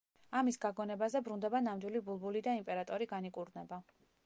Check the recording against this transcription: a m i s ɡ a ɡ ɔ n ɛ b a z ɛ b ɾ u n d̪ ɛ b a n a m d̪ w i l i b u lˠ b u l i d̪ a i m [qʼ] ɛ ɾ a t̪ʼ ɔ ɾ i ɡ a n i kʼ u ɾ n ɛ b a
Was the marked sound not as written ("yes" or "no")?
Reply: yes